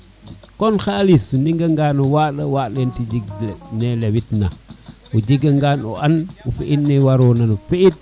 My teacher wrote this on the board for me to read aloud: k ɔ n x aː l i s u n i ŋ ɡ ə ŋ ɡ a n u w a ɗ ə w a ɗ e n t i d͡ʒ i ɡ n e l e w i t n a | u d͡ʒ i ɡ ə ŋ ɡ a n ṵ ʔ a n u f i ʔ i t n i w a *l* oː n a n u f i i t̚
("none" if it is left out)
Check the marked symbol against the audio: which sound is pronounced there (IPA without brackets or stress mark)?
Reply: ɾ